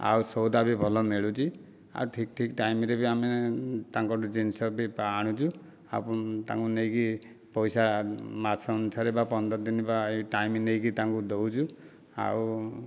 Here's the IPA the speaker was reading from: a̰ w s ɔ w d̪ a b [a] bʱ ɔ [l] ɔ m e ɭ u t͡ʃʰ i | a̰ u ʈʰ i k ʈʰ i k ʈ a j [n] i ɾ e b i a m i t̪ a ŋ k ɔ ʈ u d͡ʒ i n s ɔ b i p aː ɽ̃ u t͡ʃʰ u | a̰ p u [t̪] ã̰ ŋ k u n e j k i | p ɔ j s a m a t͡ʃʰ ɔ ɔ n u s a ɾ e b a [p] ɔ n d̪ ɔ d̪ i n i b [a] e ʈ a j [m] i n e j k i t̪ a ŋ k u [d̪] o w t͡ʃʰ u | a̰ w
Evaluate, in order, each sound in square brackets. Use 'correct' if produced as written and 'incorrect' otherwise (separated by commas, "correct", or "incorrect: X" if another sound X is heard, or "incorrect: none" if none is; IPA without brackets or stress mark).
incorrect: i, correct, incorrect: m, correct, correct, correct, correct, correct